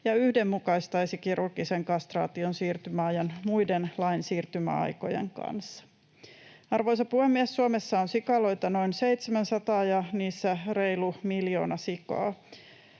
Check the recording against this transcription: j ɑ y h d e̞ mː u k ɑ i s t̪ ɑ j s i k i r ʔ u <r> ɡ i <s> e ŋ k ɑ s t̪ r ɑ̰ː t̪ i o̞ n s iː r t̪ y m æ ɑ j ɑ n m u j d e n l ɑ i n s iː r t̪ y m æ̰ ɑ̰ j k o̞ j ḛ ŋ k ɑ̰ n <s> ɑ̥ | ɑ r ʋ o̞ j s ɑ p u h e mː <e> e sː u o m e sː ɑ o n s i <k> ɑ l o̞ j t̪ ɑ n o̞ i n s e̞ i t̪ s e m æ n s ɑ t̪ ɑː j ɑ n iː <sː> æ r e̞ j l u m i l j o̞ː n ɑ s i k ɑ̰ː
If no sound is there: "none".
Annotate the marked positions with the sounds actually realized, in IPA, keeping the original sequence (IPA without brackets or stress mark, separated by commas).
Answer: r, s, sː, i, k, sː